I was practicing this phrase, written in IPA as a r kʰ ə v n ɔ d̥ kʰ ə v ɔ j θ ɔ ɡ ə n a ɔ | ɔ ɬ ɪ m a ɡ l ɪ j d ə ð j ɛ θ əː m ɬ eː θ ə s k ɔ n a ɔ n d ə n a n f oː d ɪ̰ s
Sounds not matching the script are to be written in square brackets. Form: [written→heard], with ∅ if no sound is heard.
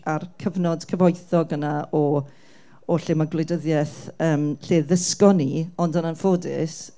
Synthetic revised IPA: a r kʰ ə v n ɔ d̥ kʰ ə v ɔ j θ ɔ ɡ ə n a ɔ | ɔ ɬ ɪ m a ɡ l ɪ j d ə ð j ɛ θ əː m ɬ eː [θ→ð] ə s k ɔ n [a→i] ɔ n d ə n a n f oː d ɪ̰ s